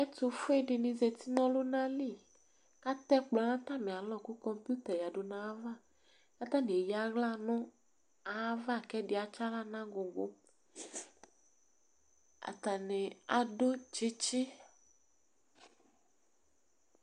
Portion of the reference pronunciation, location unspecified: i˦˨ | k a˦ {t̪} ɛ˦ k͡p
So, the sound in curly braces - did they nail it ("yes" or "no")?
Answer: yes